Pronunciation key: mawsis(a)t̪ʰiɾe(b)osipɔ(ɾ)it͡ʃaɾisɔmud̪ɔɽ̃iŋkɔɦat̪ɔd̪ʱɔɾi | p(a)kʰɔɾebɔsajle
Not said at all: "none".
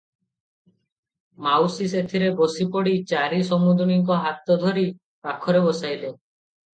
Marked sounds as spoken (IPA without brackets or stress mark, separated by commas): e, b, ɽ, a